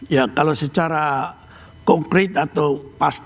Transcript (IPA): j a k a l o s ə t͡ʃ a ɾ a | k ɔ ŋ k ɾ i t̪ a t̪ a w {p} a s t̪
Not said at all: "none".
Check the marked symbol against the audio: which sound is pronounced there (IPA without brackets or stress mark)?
p